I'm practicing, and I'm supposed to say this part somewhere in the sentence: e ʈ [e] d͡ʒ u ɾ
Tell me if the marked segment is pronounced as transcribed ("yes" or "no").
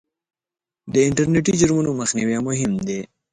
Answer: no